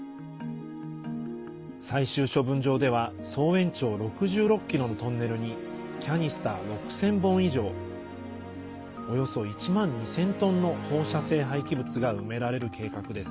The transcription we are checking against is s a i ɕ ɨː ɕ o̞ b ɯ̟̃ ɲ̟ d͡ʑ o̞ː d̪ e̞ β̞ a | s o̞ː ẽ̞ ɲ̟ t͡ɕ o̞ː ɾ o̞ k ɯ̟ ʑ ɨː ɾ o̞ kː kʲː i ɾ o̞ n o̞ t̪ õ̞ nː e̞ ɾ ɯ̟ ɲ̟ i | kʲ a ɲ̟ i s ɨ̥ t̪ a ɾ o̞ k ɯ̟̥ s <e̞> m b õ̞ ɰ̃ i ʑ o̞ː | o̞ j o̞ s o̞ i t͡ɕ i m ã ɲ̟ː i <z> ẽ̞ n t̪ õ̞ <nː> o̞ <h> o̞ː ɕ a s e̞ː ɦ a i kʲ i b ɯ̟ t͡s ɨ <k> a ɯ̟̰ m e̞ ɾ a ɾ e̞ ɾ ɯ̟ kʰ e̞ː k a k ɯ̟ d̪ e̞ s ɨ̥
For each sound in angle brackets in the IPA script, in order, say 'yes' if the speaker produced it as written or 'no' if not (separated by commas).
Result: no, no, yes, yes, no